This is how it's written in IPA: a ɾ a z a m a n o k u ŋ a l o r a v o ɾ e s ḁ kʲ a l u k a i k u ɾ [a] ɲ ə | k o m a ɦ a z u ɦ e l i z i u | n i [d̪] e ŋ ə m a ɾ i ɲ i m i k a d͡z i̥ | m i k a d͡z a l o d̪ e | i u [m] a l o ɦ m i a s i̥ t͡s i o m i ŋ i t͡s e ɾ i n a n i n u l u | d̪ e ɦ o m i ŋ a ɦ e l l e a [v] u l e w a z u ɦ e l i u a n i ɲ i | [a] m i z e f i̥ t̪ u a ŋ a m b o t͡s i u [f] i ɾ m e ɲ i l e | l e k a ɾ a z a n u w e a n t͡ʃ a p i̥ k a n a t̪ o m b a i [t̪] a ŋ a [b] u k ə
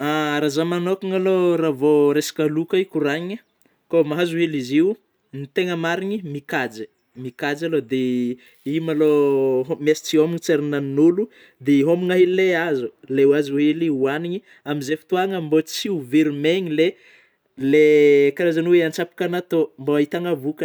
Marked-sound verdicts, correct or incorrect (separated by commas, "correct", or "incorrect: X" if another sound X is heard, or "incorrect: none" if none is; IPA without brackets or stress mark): correct, incorrect: t̪, correct, incorrect: z, correct, incorrect: v, correct, incorrect: v